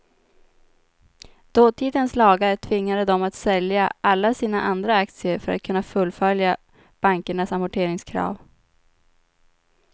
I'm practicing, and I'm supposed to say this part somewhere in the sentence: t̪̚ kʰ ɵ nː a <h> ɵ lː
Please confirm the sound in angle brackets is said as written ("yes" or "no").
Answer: no